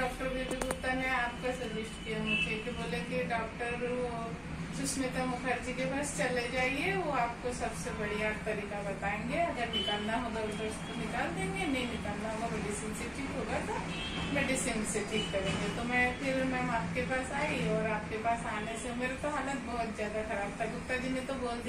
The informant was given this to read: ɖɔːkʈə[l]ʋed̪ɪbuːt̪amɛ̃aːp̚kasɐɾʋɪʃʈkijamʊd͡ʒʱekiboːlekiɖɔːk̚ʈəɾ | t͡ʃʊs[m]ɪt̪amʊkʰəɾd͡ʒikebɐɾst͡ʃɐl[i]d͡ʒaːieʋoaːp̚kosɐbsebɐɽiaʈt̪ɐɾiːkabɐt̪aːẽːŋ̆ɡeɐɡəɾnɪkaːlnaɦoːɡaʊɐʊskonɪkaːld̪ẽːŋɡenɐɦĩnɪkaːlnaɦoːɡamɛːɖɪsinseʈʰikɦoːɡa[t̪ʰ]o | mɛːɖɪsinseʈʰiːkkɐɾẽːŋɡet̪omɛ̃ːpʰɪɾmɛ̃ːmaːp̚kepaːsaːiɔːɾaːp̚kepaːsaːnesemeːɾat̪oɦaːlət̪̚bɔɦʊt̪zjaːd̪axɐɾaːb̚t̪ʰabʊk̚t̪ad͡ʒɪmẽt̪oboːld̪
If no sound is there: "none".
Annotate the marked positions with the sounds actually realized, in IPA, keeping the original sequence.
ɾ, m, e, t̪

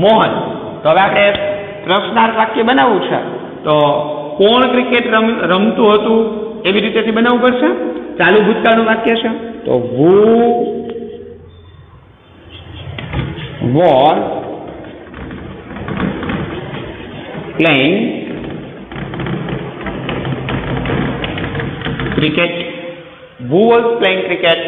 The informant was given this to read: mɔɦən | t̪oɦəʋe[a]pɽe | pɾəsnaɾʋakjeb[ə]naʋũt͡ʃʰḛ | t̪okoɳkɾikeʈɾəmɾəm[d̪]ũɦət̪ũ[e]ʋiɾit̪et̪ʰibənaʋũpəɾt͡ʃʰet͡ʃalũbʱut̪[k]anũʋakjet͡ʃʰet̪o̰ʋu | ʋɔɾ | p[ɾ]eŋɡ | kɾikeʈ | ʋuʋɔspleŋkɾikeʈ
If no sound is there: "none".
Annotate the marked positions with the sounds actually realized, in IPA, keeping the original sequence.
a, ə, t̪, e, k, l

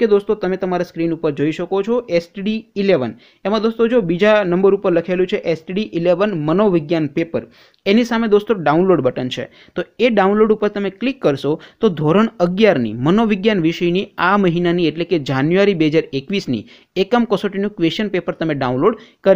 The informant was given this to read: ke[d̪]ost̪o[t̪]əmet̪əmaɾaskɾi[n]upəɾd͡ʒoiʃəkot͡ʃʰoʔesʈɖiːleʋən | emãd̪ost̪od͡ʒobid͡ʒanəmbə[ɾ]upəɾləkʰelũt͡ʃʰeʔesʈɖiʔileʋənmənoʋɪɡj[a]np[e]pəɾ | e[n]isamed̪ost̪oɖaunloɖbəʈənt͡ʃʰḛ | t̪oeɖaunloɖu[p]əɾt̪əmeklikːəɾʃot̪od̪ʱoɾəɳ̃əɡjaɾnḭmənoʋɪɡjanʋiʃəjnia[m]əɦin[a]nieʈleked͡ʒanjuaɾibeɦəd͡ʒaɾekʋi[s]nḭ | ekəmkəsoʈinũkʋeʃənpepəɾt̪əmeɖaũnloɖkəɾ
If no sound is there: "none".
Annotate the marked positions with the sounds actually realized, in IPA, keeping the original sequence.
d̪, t̪, n, ɾ, a, e, n, p, m, a, s

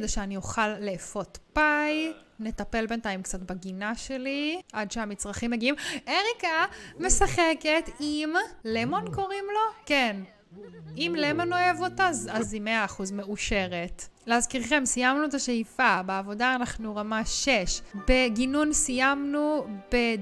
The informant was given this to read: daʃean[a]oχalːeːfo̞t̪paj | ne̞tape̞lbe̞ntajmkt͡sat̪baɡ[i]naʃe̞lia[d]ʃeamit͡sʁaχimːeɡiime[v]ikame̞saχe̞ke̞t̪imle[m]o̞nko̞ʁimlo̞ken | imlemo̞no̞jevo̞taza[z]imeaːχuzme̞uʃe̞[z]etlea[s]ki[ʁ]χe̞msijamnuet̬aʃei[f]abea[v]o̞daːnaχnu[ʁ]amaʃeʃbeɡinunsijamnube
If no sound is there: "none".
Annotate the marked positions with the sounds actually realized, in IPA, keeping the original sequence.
i, i, d, ʁ, m, z, ʁ, z, ʁ, f, v, ʁ

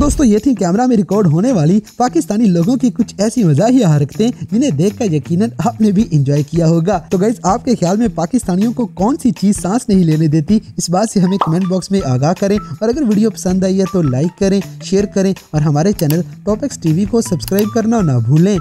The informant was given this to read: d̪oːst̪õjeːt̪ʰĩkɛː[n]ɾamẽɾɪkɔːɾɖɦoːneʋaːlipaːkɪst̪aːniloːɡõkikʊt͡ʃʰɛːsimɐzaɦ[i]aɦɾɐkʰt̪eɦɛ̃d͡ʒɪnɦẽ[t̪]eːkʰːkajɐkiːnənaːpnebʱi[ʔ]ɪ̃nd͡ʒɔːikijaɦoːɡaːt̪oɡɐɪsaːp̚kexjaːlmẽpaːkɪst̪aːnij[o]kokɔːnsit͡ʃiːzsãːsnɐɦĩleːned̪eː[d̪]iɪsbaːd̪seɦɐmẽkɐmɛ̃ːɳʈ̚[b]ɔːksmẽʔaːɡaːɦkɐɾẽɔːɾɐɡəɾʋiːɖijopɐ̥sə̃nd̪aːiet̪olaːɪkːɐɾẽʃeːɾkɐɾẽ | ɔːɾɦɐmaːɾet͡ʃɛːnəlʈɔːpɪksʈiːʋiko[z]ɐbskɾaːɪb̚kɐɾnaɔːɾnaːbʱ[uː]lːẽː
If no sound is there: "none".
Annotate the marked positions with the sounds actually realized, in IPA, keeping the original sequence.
m, i, d̪, ʔ, õ, t̪, b, s, uː

